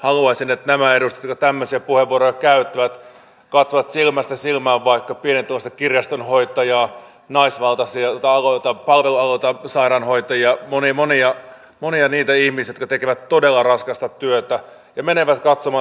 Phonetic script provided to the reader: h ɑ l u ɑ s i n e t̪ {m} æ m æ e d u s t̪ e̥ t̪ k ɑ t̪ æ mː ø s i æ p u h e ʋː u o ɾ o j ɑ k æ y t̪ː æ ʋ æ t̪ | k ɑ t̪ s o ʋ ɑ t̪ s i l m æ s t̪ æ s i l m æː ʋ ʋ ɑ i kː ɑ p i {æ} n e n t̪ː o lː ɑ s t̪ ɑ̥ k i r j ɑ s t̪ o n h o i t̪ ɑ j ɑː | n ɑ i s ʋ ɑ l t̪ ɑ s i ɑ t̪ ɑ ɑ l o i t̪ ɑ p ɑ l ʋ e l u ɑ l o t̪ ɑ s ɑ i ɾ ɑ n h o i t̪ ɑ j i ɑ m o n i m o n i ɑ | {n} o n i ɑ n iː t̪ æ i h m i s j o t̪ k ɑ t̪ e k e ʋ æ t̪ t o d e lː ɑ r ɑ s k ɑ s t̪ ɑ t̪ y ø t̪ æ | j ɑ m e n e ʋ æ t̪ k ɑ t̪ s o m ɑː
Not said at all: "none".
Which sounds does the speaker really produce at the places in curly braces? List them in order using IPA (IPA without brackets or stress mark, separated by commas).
n, e, m